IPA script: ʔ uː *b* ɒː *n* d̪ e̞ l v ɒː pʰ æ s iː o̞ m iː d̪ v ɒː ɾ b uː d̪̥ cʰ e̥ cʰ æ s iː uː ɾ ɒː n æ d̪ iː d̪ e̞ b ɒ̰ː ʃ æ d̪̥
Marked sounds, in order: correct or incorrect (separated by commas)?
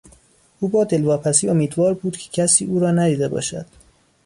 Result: correct, incorrect